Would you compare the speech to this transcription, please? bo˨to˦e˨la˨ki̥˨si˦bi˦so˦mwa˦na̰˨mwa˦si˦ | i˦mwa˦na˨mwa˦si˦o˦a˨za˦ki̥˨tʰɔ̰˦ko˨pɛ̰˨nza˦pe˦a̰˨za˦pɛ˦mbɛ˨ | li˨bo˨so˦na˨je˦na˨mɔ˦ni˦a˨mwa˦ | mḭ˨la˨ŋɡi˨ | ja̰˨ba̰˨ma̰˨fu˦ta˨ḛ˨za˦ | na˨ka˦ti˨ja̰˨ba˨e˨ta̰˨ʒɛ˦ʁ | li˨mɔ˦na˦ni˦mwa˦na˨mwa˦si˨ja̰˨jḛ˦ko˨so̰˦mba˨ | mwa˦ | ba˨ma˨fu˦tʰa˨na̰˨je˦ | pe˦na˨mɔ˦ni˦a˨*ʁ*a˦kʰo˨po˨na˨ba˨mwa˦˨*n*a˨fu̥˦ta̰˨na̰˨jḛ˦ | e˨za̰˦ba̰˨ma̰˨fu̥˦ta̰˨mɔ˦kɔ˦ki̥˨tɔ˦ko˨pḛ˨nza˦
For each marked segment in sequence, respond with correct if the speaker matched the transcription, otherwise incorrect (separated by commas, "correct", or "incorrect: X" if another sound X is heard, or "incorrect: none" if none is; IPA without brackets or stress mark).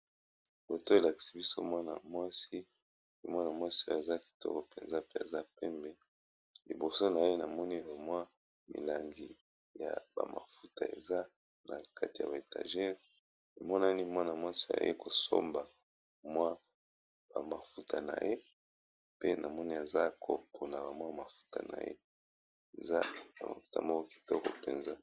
incorrect: z, incorrect: m